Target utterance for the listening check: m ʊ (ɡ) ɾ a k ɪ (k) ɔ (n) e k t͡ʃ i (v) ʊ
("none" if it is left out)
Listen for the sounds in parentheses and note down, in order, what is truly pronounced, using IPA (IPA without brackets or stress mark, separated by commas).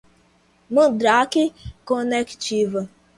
d, k, n, v